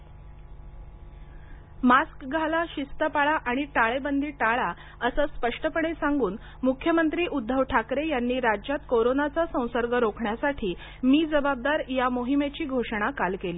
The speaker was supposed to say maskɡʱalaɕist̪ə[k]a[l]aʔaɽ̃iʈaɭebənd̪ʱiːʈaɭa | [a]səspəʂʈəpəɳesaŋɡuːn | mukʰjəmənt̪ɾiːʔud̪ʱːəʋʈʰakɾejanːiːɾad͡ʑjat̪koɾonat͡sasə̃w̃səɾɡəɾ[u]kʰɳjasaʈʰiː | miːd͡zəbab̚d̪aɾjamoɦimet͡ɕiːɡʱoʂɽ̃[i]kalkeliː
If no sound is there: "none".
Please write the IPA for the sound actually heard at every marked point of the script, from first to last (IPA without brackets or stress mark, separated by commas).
p, ɭ, ə, o, a